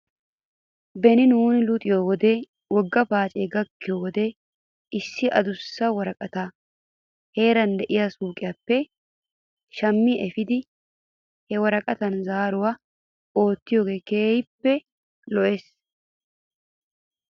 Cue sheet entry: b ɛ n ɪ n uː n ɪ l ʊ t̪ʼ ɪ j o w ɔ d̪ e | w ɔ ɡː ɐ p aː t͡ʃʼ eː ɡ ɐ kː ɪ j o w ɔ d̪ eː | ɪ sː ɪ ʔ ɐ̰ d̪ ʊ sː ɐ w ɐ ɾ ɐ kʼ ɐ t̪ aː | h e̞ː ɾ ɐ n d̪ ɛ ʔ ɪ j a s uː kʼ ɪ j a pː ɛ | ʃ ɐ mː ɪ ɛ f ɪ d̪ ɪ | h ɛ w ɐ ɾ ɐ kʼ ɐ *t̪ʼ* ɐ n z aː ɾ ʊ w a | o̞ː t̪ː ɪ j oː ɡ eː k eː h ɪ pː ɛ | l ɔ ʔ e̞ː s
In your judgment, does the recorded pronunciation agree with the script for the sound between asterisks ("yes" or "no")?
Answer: no